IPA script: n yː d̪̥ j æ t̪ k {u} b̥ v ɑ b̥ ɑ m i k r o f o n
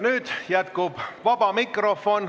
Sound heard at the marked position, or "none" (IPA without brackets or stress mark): u